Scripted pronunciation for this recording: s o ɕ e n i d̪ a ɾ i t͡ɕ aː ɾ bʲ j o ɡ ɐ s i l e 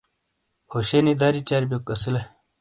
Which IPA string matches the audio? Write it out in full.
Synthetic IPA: h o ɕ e n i d̪ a ɾ i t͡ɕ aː ɾ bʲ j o k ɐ s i l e